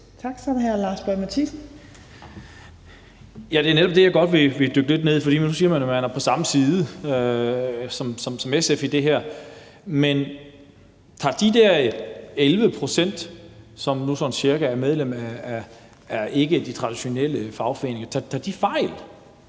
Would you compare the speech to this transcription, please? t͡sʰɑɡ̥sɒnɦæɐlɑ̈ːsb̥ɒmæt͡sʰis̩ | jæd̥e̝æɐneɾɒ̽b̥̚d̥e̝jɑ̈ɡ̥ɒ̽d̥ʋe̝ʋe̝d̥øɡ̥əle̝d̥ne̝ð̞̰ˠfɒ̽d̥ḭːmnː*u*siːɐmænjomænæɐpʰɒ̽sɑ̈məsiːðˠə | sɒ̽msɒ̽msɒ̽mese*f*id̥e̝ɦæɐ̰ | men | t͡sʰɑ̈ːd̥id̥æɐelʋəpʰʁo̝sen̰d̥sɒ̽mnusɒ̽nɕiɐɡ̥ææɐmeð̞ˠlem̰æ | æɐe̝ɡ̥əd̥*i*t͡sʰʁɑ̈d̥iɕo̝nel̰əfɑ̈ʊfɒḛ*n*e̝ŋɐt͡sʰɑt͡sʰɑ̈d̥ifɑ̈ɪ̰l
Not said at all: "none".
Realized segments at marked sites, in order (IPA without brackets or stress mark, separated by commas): u, f, i, n